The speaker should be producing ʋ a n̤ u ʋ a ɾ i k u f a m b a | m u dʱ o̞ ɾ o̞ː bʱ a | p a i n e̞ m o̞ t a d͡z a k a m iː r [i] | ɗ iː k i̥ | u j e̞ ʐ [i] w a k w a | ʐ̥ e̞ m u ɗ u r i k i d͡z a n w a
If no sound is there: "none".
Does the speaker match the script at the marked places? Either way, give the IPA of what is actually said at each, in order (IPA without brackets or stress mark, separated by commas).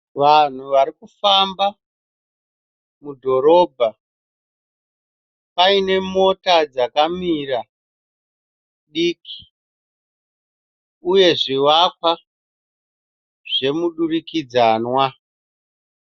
a, i